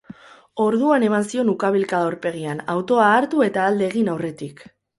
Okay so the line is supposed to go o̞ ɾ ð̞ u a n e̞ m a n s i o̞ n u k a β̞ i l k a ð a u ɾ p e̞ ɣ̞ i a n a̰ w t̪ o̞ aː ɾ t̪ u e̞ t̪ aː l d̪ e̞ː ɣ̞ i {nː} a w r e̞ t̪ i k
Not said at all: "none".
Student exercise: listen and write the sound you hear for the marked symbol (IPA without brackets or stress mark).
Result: n